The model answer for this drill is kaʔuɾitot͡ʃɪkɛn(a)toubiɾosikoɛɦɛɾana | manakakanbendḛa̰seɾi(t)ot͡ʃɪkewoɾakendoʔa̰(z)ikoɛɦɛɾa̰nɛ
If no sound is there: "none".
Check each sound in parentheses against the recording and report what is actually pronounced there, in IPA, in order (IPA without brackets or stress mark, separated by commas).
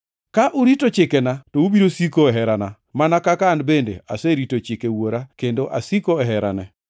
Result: a, t, s